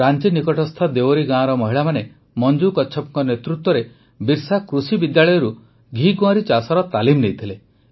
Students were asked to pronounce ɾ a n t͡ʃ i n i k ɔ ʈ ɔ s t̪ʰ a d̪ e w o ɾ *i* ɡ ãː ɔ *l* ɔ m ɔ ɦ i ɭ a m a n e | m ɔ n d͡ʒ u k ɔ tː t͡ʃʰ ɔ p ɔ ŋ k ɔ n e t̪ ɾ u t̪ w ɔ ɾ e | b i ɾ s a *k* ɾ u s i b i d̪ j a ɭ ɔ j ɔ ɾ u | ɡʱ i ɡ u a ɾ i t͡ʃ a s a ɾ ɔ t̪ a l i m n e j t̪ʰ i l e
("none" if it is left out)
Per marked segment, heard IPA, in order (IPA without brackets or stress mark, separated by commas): i, ɾ, k